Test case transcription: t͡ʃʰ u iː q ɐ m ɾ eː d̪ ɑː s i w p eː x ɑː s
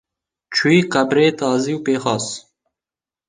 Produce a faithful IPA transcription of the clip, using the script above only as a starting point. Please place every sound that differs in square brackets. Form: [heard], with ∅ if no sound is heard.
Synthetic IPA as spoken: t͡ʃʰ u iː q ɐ [b] ɾ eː [t̪] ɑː [z] i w p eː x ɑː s